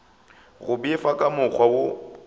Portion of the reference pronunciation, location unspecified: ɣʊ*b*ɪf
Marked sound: correct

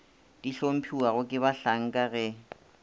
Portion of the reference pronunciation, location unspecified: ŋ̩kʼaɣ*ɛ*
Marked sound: correct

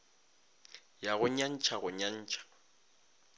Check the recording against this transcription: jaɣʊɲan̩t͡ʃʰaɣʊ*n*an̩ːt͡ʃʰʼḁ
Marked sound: incorrect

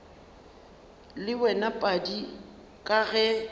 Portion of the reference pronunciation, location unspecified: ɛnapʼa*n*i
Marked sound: incorrect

